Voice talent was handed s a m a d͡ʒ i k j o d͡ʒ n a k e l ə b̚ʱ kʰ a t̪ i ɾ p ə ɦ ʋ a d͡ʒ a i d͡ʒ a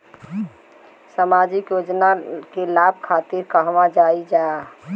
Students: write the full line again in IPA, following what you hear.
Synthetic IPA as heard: s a m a d͡ʒ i k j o d͡ʒ n a k e l a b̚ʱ kʰ a t̪ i ɾ k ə ɦ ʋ a d͡ʒ a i d͡ʒ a